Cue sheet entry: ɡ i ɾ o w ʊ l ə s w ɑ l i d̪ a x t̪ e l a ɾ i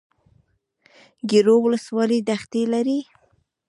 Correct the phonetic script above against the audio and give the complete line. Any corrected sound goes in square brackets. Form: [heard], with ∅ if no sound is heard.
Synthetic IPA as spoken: ɡ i ɾ o w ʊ l ə s w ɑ l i d̪ a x t̪ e l a ɾ i